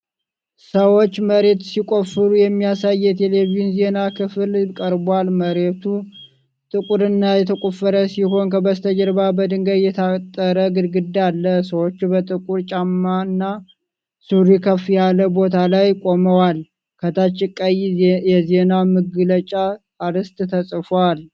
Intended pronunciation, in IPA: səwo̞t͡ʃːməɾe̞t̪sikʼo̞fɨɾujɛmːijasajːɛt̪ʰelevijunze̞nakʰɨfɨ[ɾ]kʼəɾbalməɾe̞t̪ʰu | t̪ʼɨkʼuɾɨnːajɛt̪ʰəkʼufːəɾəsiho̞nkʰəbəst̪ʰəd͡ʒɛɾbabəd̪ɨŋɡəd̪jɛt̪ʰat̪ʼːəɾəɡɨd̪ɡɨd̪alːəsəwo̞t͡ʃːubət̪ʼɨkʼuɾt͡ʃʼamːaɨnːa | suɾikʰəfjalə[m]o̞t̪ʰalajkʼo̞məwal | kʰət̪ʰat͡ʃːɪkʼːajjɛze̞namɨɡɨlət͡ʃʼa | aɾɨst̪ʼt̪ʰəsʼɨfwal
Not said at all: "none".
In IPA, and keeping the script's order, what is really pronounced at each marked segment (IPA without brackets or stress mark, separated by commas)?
l, b